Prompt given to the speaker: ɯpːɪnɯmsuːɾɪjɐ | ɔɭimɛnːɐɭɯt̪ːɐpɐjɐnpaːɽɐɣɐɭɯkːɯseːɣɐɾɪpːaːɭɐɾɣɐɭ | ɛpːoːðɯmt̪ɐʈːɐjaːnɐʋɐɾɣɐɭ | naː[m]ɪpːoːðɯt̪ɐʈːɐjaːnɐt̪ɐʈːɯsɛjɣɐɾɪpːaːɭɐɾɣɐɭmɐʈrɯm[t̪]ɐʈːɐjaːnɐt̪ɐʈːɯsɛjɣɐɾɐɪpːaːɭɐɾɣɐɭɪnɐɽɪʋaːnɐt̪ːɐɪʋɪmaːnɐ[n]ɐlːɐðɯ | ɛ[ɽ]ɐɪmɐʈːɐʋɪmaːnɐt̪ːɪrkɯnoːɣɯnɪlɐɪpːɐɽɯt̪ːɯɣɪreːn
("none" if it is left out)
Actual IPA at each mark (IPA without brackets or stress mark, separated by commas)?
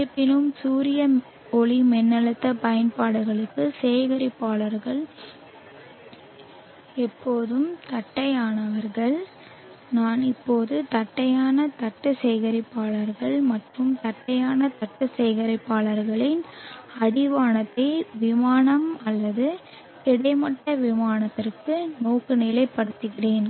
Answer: n, t̪, m, ɽ